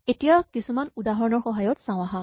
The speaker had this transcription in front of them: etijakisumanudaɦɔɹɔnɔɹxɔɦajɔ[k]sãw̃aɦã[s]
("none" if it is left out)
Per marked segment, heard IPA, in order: t, none

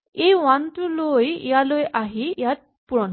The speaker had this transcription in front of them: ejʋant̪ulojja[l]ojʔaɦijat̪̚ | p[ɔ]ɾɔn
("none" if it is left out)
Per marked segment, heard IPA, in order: l, u

